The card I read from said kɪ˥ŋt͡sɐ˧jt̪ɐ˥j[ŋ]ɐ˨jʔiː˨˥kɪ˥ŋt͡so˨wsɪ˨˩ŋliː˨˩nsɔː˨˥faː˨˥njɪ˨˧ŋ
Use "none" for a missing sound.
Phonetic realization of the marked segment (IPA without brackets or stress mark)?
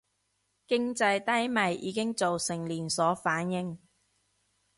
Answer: m